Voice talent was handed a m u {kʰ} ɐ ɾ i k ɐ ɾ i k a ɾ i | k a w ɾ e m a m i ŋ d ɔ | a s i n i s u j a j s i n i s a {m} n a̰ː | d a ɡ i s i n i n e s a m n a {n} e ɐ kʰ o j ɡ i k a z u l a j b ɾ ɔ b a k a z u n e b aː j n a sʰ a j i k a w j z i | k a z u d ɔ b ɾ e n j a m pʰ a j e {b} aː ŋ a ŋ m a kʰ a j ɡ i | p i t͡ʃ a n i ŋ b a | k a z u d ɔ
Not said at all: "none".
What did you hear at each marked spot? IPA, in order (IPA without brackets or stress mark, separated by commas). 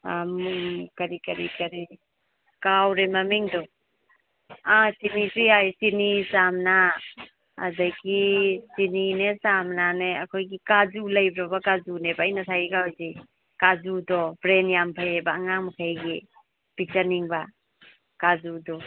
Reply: k, m, n, b